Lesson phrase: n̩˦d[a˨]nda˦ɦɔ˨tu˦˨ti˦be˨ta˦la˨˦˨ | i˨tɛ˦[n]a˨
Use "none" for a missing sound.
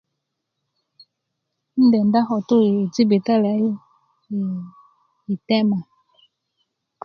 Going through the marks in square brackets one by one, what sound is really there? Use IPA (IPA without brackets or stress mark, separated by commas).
ɛ˨, m